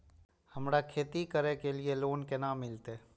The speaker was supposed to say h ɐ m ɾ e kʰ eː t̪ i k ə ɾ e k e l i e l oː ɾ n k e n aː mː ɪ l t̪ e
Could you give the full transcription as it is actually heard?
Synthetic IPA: h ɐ m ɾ a kʰ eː t̪ i k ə ɾ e k e l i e l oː n k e n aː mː ɪ l t̪ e